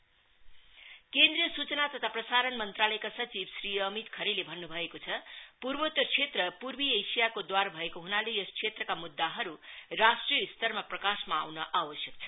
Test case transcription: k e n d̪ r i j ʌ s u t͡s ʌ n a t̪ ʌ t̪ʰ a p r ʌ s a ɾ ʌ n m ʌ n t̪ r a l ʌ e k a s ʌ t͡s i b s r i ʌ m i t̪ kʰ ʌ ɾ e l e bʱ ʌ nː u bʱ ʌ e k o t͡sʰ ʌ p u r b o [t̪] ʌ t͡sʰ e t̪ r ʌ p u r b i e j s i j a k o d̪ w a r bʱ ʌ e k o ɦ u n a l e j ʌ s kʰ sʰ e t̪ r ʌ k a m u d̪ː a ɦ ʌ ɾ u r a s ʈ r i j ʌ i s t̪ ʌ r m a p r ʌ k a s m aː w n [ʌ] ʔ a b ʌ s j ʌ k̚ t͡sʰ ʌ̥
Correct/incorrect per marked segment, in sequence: correct, correct

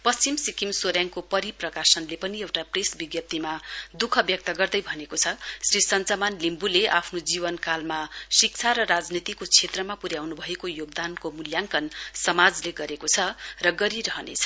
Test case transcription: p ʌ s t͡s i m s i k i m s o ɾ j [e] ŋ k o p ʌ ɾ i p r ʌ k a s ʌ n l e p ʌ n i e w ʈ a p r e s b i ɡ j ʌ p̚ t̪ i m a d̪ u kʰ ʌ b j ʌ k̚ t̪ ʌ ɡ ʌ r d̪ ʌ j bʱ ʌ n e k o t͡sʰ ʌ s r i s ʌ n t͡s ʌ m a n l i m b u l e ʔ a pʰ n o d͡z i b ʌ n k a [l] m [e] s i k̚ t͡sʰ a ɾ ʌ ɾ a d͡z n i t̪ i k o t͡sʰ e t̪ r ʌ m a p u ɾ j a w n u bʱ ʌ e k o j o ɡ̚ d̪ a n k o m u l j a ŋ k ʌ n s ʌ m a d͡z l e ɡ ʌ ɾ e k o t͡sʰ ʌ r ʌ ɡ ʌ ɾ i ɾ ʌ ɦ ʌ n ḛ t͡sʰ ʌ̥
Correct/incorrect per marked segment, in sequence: incorrect: a, correct, incorrect: a

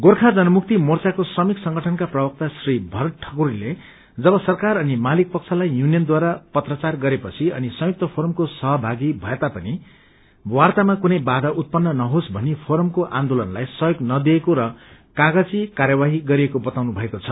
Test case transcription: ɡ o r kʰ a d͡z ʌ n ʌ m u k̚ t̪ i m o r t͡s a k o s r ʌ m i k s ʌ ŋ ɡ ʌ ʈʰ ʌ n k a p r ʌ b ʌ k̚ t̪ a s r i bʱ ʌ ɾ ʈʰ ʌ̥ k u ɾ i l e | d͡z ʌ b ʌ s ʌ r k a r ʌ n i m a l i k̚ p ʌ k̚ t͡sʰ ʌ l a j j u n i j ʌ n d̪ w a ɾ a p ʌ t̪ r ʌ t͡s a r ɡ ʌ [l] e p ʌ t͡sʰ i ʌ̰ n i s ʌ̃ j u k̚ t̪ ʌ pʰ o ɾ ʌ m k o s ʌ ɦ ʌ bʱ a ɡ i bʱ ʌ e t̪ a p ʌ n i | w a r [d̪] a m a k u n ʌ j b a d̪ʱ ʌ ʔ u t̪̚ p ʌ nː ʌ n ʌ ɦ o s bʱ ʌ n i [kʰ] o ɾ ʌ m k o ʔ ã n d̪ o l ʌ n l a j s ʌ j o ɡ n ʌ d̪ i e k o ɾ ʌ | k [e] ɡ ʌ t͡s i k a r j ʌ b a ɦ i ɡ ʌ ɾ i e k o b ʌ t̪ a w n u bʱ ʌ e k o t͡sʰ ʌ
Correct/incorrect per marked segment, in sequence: incorrect: ɾ, incorrect: t̪, incorrect: pʰ, incorrect: a

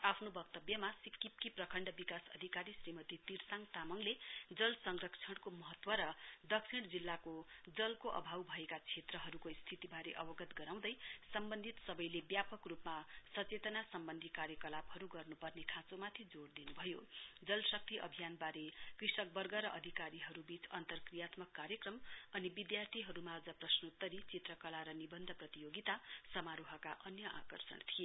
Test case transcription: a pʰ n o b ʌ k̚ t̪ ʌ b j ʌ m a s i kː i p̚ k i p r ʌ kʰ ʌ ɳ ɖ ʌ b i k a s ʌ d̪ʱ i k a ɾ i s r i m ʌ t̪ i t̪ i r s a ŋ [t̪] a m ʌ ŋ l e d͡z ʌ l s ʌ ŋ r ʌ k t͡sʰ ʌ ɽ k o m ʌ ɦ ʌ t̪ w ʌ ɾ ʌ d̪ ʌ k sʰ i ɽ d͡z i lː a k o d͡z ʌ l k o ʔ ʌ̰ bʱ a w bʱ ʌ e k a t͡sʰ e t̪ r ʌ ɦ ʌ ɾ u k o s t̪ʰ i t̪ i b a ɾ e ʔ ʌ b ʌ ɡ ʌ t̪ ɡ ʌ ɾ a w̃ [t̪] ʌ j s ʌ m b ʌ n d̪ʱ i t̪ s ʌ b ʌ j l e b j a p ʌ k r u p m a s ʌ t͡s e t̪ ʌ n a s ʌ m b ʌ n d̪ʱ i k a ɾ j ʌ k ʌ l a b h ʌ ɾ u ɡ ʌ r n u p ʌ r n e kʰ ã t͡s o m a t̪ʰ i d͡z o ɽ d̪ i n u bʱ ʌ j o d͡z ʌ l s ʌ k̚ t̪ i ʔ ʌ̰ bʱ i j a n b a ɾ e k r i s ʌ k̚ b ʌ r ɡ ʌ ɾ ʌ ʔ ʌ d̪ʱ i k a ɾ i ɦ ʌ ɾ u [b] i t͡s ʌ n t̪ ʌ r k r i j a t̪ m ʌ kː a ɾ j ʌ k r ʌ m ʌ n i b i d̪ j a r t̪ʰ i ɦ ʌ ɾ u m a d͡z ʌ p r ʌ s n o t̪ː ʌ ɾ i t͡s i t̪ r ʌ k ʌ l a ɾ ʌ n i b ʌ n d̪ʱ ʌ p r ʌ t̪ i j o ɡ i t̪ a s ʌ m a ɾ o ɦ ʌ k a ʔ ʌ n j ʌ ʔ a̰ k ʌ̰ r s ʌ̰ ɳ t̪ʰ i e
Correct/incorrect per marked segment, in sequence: correct, incorrect: d̪, correct

